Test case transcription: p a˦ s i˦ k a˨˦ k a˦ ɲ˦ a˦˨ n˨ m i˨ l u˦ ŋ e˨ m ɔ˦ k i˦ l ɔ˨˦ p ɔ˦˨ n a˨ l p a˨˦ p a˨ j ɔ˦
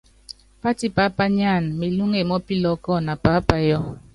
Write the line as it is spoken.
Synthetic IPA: p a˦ t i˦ p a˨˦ p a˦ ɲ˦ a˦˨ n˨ m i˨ l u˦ ŋ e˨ m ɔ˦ p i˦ l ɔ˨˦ k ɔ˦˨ n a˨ p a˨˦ p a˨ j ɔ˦